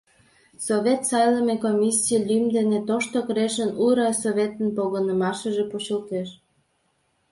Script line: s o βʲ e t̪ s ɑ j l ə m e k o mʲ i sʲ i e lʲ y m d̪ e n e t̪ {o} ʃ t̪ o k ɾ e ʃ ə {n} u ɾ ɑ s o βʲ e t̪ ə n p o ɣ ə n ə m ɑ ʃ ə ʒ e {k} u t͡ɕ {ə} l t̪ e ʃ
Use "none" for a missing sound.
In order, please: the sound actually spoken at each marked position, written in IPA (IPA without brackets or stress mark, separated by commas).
o, n, p, ə